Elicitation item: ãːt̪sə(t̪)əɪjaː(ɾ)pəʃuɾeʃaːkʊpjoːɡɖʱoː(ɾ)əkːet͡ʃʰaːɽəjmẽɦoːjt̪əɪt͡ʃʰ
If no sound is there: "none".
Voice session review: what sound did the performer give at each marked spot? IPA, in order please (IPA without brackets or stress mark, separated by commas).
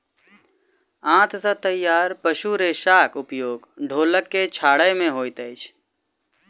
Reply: t̪, ɾ, l